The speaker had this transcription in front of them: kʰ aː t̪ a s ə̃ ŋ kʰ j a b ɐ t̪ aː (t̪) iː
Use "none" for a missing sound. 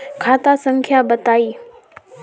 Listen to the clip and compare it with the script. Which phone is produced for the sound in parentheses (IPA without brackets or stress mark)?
none